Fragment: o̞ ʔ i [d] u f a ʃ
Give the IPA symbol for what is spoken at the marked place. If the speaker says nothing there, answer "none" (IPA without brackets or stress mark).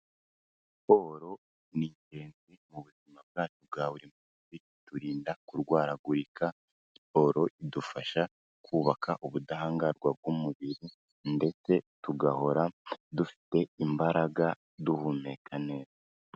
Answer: d